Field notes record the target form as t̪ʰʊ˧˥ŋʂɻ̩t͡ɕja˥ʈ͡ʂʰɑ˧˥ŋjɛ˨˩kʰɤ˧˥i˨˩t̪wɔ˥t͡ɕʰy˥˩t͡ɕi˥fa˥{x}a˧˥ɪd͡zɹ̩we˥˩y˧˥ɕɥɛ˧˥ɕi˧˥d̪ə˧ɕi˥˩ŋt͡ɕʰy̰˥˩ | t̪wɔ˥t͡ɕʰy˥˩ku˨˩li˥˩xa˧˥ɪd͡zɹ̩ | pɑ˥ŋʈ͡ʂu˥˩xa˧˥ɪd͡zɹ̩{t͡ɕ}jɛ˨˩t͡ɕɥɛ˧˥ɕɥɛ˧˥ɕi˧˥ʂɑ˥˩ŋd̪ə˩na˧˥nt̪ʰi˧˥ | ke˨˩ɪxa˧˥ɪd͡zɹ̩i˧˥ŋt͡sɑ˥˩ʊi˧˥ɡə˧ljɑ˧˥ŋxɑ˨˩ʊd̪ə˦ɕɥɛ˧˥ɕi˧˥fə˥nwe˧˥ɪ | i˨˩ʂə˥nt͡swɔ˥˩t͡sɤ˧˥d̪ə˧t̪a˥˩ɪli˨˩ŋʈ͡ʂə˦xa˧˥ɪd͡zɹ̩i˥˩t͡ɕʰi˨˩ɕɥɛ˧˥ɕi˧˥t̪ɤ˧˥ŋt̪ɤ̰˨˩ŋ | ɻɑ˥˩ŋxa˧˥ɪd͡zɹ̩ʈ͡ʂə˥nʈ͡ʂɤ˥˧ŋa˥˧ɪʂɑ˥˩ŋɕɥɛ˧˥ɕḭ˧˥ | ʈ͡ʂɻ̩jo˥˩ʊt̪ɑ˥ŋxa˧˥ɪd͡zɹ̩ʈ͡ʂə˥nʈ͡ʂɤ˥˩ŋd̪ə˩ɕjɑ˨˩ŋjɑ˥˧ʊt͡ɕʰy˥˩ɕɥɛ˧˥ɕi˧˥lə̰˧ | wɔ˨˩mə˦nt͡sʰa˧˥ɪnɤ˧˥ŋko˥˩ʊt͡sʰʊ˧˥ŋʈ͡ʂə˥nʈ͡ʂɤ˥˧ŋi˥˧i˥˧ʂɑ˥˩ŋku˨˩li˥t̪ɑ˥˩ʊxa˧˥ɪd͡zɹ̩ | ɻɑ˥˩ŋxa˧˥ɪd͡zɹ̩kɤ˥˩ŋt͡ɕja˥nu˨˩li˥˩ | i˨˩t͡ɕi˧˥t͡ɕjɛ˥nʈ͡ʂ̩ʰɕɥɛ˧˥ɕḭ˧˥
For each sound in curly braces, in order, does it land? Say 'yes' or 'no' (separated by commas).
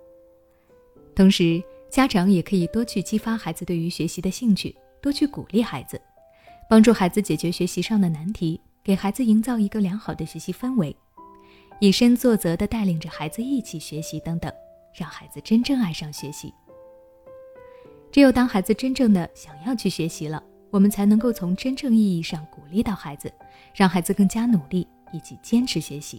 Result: yes, yes